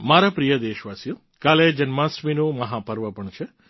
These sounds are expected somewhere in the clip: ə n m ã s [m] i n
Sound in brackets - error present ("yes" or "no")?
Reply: no